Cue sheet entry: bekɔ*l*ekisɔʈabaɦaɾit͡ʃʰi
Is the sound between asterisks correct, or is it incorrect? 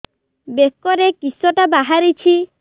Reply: incorrect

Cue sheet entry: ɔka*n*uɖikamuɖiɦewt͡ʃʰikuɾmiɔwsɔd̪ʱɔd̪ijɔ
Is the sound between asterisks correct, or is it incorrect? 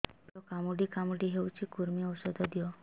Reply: incorrect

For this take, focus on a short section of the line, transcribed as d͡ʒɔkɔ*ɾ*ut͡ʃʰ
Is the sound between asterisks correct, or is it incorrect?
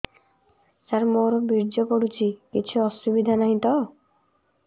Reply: incorrect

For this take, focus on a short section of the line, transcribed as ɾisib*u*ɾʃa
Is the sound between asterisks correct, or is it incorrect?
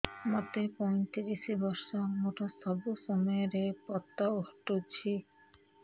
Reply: incorrect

